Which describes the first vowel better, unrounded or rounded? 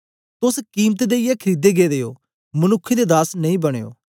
rounded